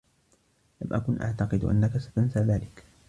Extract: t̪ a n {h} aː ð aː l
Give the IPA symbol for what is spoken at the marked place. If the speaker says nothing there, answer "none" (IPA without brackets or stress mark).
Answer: s